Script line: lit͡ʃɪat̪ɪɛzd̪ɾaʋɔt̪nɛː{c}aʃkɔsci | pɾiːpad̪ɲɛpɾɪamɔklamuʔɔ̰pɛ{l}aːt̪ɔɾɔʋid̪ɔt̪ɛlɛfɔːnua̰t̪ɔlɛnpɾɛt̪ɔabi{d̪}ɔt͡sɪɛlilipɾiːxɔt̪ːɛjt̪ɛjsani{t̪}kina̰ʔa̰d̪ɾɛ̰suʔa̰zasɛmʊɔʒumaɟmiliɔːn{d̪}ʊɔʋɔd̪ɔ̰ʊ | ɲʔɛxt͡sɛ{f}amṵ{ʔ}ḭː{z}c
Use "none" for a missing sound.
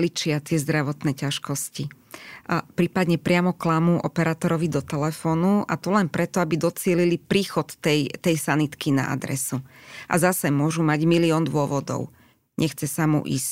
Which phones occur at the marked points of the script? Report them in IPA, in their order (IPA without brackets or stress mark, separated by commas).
c, ɾ, d̪, t̪, d̪, s, ʔ, s